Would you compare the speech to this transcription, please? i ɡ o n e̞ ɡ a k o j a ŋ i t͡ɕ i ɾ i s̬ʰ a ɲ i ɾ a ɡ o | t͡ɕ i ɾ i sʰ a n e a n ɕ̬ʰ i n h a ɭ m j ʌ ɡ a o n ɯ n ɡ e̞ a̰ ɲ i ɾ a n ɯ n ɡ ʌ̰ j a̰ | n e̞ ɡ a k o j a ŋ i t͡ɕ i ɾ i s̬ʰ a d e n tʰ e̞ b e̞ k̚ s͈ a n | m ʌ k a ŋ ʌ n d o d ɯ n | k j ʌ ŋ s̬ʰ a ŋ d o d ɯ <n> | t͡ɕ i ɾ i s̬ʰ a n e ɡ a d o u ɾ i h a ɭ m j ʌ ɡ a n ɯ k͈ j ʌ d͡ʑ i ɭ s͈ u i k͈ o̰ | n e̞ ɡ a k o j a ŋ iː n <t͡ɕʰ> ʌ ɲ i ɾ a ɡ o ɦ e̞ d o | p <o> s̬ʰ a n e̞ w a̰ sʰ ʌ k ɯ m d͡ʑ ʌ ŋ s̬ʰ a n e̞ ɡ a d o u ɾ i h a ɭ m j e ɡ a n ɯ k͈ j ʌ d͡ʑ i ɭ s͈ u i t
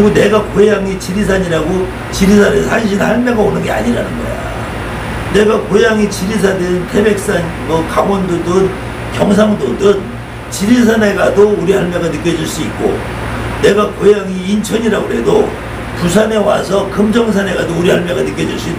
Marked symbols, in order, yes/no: yes, yes, no

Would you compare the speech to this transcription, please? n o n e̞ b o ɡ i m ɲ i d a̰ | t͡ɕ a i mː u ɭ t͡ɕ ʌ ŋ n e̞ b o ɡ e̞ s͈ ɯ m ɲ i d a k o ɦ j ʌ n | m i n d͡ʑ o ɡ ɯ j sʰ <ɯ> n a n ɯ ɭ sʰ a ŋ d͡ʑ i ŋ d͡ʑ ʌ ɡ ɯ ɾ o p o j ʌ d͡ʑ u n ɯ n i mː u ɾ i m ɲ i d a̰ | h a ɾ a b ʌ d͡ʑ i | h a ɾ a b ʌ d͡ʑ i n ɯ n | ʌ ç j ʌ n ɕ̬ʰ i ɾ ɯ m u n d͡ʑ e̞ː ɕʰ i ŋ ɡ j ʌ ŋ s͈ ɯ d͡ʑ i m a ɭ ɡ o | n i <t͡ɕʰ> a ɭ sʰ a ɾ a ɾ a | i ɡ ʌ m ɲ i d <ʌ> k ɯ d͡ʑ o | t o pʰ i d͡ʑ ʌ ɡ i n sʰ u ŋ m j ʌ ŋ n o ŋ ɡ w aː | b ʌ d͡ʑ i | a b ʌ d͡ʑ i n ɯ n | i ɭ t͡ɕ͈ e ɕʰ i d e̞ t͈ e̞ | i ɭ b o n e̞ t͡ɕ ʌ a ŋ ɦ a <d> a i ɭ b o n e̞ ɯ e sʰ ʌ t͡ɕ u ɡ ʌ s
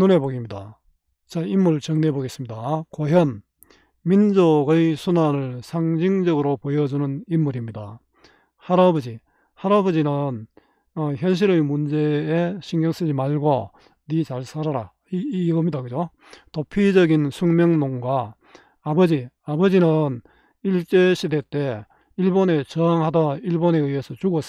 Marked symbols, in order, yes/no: no, no, no, yes

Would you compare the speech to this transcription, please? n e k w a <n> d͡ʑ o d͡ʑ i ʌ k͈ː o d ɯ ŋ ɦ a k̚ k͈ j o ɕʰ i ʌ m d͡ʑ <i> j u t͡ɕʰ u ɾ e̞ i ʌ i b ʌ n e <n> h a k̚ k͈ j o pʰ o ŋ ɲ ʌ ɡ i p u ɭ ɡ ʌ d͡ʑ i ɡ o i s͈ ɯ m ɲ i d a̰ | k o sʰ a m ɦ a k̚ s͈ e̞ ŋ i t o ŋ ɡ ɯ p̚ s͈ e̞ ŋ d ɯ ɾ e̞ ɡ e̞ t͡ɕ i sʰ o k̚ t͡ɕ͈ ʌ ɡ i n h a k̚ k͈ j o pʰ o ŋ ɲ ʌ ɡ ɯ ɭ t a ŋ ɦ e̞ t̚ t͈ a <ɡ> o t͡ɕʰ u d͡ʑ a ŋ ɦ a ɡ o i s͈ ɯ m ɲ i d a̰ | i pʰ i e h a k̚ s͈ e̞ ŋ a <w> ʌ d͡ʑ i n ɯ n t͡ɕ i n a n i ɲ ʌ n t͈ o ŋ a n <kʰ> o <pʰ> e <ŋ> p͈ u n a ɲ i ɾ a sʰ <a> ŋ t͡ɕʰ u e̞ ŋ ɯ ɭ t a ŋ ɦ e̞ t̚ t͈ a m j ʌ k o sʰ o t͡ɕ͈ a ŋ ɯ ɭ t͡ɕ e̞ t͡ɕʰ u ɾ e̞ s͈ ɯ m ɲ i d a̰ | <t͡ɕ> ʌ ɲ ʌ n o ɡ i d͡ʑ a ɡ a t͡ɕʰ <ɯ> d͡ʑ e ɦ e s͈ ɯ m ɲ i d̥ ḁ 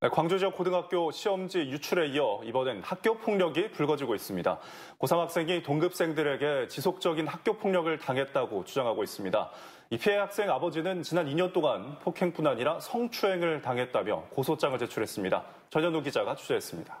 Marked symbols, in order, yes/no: no, yes, yes, yes, no, no, no, yes, no, yes, no

